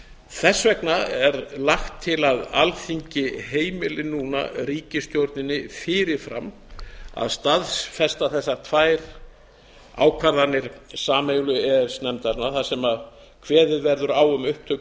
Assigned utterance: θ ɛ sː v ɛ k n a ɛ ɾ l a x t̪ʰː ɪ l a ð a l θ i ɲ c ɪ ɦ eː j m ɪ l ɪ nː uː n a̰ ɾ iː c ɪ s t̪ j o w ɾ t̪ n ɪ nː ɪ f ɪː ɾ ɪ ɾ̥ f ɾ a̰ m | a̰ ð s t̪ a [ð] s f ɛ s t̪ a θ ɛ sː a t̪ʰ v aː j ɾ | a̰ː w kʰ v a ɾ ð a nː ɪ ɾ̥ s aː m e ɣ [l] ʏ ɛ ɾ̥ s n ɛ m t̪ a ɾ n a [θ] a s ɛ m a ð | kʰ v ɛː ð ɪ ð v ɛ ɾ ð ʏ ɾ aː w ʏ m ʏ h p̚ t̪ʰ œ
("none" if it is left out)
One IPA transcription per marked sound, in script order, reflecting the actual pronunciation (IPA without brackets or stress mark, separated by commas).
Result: ð, l, θ